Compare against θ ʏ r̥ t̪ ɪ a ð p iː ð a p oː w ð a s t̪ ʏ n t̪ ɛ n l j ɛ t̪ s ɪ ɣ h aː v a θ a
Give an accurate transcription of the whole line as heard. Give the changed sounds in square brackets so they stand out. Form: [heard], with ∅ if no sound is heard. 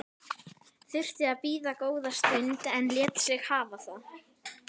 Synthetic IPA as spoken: θ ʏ r̥ t̪ ɪ a ð p iː ð a [k] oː w ð a s t̪ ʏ n t̪ ɛ n l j ɛ t̪ s ɪ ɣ h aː v a θ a

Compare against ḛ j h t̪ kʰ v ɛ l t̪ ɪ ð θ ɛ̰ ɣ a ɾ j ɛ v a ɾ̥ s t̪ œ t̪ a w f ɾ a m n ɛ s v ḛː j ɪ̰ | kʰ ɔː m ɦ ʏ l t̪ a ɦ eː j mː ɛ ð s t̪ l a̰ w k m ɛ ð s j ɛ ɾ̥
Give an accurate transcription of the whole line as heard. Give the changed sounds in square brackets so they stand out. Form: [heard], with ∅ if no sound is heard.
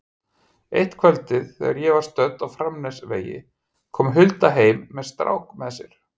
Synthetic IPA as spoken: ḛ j h t̪ kʰ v ɛ l t̪ ɪ ð θ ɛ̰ ɣ a ɾ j ɛ v a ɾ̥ s t̪ œ t̪ a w f ɾ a m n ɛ s v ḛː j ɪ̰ | kʰ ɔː m ɦ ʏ l t̪ a ɦ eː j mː ɛ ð s t̪ [ɾ] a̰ w k m ɛ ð s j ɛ ɾ̥

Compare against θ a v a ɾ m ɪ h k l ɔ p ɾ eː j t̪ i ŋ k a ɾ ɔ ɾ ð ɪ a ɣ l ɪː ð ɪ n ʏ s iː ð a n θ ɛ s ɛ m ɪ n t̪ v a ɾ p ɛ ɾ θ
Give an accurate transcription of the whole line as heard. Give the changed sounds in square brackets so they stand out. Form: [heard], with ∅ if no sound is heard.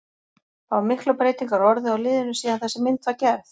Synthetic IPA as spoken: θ a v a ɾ m ɪ h k l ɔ p ɾ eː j t̪ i ŋ k a ɾ ɔ ɾ ð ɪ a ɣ l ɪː ð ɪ n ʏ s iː ð a n θ ɛ s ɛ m ɪ n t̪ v a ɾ [c] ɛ ɾ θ

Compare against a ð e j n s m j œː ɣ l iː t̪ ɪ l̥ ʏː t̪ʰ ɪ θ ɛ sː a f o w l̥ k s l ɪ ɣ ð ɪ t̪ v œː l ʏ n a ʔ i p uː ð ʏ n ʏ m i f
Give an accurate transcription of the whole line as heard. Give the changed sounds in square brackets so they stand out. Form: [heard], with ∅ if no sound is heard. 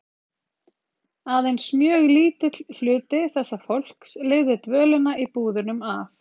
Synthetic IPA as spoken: a ð e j n s m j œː ɣ l iː t̪ ɪ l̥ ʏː [t̪] ɪ θ ɛ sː a f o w l̥ k s l ɪ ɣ ð ɪ t̪ v œː l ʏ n a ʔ i p uː ð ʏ n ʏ m [a] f

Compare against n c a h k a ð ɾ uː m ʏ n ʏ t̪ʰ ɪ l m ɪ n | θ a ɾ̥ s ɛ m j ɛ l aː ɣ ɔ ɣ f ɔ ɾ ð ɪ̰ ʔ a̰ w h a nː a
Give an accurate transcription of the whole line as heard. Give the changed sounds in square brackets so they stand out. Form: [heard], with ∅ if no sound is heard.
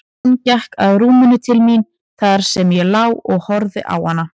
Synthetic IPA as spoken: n c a h k a ð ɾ uː m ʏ n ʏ t̪ʰ ɪ l m [i] n | θ a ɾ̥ s ɛ m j ɛ l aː [w] ɔ ɣ [h] ɔ ɾ ð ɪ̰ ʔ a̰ w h a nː a

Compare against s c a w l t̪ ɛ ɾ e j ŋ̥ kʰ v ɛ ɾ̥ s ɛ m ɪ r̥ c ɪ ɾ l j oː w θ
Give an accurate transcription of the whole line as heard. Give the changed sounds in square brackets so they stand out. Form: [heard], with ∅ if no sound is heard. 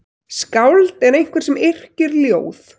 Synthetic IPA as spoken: s [k] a w l t̪ ɛ ɾ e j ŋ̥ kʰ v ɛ ɾ̥ s ɛ m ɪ r̥ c ɪ ɾ l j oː w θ

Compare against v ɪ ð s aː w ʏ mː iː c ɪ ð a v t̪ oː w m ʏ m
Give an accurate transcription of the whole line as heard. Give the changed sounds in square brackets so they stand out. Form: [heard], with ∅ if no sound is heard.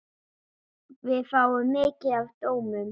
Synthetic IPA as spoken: v ɪ ð [f] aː w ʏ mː [ɪː] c ɪ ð a v t̪ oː w m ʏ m

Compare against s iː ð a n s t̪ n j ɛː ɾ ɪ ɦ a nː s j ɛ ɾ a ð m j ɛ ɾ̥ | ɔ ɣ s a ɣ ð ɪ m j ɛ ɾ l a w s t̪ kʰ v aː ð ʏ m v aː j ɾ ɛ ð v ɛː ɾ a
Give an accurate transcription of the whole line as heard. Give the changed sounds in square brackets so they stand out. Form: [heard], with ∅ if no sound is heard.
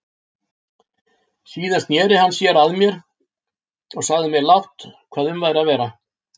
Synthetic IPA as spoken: s iː ð a n s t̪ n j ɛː ɾ ɪ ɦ a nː s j ɛ ɾ a ð m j ɛ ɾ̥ | ɔ ɣ s a ɣ ð ɪ m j ɛ ɾ l a w [h] t̪ kʰ v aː ð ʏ m v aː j ɾ [a] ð v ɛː ɾ a

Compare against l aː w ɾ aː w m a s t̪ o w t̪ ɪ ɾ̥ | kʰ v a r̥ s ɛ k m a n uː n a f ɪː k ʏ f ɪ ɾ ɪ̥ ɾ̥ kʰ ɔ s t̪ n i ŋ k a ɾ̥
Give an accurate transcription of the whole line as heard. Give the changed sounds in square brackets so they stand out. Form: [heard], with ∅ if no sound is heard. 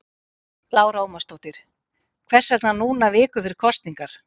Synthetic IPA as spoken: l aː w ɾ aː w m a s t̪ o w t̪ ɪ ɾ̥ | kʰ v [ɛ] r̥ s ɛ k [n] a n uː n a [v] ɪː k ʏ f ɪ ɾ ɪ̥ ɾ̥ kʰ ɔ s t̪ n i ŋ k a ɾ̥

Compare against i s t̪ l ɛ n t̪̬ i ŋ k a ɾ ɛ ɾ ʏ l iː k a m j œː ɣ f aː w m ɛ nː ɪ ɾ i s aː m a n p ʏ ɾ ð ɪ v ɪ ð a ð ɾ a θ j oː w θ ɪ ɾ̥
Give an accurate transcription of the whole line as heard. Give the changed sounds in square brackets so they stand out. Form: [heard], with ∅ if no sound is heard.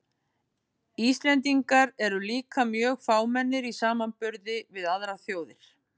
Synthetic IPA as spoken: i s t̪ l ɛ n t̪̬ i ŋ k a ɾ ɛ ɾ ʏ l iː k a m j œː ɣ f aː w m ɛ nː ɪ ɾ i s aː m a n p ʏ ɾ ð ɪ v ɪ ð a ð ɾ a θ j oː w [ð] ɪ ɾ̥

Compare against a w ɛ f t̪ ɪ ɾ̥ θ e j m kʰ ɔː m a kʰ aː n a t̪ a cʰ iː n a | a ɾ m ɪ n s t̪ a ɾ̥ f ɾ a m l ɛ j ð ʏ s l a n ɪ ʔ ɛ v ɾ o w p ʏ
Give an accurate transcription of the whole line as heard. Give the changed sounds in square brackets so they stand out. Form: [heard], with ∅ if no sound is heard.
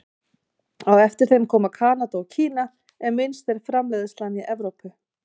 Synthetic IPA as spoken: a w ɛ f t̪ ɪ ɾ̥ θ e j m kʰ ɔː m a kʰ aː n a t̪ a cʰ iː n a | [ɛ] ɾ m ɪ n s t̪ [ɛ] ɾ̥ f ɾ a m l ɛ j ð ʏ s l a n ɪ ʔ ɛ v ɾ o w p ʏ

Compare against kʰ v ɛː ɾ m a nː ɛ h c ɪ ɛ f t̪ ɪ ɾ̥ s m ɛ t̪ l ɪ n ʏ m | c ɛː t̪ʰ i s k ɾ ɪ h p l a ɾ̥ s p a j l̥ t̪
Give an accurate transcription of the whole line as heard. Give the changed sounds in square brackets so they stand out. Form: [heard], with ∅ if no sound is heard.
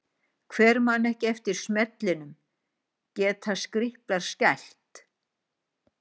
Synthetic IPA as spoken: kʰ v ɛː ɾ m a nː ɛ h c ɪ ɛ f t̪ ɪ ɾ̥ s m ɛ t̪ l ɪ n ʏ m | c ɛː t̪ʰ [a] s k ɾ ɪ h p l a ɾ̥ s [c] a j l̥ t̪

